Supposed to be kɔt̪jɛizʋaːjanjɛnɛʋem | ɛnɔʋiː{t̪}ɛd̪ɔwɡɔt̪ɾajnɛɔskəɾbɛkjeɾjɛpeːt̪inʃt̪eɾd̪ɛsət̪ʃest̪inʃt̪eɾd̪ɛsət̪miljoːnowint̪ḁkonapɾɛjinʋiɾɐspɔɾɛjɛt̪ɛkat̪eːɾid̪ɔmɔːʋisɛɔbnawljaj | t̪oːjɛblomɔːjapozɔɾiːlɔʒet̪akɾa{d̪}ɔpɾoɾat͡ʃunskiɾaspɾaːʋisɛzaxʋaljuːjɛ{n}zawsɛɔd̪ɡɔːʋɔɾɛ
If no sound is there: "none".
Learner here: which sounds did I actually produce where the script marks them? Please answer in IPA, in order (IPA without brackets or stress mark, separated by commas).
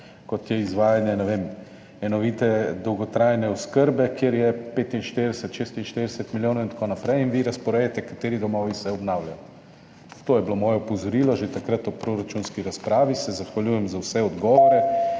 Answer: t̪, t̪, m